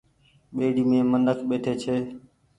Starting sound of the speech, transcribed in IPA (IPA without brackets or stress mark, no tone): ɓ